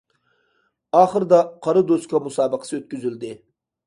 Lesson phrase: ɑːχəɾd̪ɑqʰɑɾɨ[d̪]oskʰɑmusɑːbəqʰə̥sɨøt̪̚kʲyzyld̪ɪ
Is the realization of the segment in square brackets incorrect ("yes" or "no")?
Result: no